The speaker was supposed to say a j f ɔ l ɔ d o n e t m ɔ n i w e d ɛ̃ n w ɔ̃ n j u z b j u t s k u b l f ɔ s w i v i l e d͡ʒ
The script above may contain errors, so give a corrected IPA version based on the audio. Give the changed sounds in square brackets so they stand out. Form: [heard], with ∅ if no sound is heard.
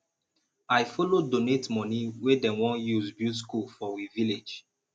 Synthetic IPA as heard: a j f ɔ l [o] d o n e t m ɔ n i w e d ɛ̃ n w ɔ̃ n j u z b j u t s k u [∅] l f ɔ [∅] w i v i l e d͡ʒ